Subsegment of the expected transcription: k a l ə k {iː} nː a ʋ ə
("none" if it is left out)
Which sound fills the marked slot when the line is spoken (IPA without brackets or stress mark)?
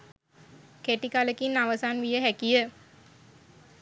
i